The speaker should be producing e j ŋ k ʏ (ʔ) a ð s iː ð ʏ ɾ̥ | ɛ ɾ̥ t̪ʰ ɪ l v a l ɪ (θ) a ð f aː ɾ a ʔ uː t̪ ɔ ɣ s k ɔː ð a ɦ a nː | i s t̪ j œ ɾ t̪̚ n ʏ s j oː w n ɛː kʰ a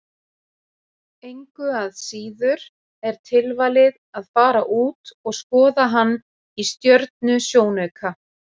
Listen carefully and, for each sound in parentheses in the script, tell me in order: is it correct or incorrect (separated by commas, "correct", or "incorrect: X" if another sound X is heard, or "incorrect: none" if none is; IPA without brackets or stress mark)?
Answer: incorrect: none, incorrect: ð